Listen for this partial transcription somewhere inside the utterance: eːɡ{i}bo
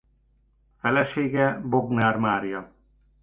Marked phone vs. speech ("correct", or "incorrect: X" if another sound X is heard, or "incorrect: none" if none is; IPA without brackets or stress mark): incorrect: ɛ